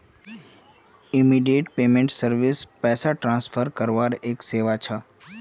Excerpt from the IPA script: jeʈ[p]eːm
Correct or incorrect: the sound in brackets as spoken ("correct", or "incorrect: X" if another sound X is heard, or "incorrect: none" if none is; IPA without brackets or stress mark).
correct